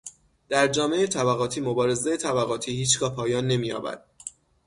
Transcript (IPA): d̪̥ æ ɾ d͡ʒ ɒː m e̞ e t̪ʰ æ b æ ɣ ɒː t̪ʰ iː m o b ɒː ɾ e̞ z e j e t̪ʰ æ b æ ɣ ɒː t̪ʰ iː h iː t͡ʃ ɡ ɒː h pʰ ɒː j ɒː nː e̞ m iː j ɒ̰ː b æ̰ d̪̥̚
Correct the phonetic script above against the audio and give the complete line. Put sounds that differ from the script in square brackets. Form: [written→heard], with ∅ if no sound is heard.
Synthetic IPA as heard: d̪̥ æ ɾ d͡ʒ ɒː m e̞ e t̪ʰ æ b æ ɣ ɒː t̪ʰ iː m o b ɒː ɾ e̞ z e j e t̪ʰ æ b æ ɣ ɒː t̪ʰ iː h iː t͡ʃ ɡ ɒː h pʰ ɒː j ɒː nː e̞ m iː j ɒ̰ː b æ̰ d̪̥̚